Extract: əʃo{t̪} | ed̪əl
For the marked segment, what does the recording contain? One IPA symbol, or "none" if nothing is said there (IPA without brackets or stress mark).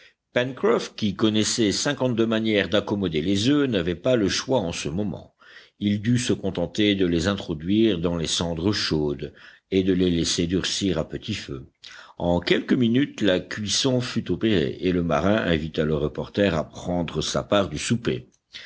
d̪